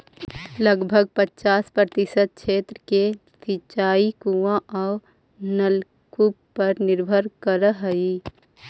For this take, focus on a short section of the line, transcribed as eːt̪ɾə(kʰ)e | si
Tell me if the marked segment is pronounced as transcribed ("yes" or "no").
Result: no